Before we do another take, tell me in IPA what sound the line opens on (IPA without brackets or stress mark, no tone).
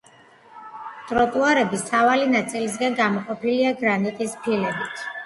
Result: t̪ʼ